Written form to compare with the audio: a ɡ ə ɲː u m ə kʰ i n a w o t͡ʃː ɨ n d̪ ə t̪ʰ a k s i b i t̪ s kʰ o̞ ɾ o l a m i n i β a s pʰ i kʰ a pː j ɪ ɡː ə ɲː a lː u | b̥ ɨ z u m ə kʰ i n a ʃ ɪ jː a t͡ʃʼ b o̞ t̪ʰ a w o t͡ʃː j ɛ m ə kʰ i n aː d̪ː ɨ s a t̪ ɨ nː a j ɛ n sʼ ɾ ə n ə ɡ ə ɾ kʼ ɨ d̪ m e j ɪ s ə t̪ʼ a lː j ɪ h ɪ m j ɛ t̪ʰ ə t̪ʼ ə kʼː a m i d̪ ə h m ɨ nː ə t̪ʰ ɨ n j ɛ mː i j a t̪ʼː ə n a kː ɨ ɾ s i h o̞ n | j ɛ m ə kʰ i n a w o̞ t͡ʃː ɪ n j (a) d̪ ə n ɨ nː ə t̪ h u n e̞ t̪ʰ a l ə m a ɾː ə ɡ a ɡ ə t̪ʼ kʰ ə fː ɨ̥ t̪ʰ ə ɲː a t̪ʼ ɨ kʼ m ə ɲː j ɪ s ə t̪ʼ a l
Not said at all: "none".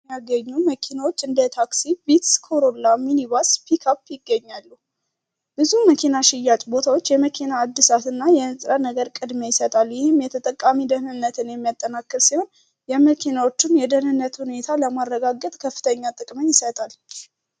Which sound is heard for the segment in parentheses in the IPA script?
ɛ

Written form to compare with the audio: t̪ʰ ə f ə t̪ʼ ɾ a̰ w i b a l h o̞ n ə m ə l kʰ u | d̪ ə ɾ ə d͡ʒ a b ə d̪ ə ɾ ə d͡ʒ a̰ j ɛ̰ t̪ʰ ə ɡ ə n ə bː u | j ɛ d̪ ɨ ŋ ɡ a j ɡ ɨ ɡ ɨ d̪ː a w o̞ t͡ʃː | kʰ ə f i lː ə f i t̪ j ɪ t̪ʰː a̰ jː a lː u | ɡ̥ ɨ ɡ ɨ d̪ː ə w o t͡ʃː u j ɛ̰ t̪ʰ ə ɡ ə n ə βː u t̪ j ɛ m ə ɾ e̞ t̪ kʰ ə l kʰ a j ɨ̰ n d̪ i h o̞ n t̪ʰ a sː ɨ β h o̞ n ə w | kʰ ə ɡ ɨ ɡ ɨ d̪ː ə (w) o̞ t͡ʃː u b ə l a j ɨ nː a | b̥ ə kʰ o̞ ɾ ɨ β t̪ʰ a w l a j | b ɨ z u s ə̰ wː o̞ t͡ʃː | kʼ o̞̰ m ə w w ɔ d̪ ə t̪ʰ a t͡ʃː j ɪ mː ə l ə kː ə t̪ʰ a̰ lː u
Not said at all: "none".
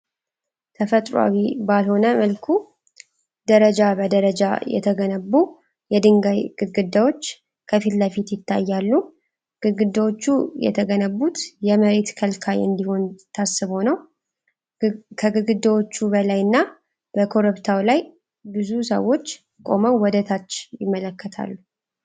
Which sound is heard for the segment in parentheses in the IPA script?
w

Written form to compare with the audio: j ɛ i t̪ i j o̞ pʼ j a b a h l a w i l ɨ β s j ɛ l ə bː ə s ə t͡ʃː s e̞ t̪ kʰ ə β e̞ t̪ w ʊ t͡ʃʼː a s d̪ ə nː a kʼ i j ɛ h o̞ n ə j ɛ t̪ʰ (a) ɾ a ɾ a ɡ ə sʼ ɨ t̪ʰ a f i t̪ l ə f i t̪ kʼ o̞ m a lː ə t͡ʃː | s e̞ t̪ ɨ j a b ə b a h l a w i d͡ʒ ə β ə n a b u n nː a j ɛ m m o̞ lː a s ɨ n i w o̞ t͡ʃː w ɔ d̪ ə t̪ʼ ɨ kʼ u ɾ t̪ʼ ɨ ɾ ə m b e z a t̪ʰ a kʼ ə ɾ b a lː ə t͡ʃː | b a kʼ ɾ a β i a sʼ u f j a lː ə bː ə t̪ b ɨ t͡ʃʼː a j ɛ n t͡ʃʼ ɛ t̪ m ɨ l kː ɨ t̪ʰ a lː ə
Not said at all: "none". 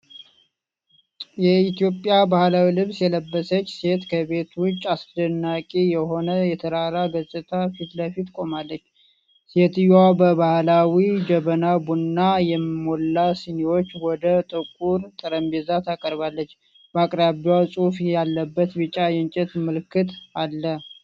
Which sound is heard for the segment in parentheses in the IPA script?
ə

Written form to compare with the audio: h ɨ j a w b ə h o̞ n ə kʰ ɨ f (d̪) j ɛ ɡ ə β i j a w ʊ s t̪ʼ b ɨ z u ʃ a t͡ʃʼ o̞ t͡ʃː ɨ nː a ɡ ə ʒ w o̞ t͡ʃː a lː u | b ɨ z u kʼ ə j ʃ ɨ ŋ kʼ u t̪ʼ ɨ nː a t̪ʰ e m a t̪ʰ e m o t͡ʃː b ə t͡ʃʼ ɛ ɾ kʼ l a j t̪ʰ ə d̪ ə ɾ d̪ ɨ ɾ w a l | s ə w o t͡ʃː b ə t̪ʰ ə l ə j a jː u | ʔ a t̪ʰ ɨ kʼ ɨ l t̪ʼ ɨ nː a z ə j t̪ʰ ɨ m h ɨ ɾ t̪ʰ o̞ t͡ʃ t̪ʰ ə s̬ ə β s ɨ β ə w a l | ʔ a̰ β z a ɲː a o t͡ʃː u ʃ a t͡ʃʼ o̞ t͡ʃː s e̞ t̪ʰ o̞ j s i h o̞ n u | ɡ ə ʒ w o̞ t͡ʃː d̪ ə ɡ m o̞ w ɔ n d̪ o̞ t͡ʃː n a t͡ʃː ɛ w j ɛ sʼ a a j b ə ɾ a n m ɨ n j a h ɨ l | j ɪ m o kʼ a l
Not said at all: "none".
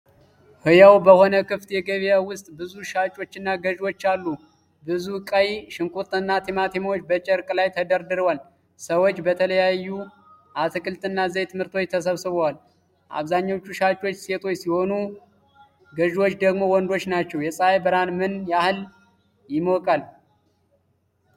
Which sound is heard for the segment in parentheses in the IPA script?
t̪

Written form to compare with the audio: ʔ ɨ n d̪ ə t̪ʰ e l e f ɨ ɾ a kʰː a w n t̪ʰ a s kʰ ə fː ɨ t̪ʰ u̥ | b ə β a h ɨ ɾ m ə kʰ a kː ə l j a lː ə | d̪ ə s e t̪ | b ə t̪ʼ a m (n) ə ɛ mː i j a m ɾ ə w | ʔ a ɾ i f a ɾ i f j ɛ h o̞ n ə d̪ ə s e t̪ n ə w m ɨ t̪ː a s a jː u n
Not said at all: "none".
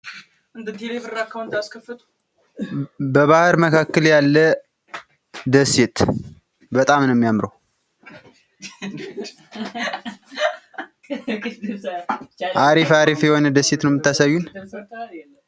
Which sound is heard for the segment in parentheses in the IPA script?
n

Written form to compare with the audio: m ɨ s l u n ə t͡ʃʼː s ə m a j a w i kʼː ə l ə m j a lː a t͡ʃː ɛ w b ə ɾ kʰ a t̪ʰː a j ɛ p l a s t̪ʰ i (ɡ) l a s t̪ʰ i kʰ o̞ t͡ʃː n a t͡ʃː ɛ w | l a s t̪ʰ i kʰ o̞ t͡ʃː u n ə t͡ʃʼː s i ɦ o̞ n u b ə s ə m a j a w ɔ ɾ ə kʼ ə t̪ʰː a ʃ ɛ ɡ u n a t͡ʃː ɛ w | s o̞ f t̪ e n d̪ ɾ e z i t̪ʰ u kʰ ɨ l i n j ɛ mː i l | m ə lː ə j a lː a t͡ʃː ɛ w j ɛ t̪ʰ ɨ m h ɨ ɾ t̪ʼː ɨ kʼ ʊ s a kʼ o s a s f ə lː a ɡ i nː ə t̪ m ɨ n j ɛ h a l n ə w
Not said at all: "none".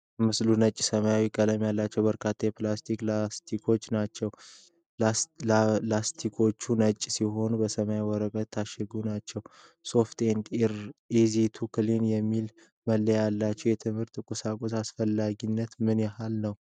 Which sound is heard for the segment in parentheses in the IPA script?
k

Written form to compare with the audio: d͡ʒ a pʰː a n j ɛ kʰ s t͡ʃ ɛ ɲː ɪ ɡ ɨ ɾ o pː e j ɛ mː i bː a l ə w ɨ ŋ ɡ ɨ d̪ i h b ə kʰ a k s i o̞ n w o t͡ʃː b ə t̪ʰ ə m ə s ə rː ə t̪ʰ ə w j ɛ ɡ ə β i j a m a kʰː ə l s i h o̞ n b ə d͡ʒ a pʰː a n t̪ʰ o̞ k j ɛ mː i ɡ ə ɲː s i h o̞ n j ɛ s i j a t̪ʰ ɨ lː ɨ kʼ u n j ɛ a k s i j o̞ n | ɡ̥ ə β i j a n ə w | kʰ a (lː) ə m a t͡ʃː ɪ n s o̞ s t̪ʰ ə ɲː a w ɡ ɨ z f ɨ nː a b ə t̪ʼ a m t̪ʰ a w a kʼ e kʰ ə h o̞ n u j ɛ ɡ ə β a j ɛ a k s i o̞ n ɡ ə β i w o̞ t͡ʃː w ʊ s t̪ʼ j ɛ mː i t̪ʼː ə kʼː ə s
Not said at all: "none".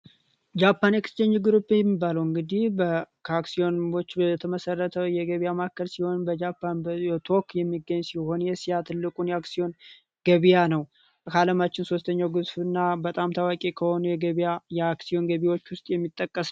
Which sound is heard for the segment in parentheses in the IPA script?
l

